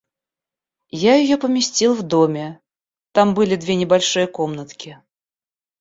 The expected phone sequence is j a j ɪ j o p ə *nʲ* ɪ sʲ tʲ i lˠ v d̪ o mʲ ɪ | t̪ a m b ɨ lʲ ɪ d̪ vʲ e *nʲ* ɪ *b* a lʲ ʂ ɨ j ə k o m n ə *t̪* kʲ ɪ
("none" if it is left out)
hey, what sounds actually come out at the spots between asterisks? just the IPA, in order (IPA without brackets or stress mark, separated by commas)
mʲ, nʲ, b, t̪